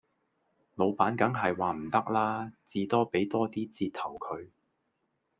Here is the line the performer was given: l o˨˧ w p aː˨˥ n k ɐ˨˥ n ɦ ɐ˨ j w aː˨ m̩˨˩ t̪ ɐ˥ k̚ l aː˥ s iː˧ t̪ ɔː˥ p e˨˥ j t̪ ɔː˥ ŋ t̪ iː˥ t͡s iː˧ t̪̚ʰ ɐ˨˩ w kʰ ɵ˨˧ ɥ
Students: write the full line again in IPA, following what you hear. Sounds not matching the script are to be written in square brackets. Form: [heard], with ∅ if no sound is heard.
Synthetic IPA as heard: l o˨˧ w p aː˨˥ n k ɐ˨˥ [ŋ] ɦ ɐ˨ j w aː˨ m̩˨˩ t̪ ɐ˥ k̚ l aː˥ [t͡s] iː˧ t̪ ɔː˥ p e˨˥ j t̪ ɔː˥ [∅] t̪ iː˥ t͡s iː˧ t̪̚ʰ ɐ˨˩ w kʰ ɵ˨˧ ɥ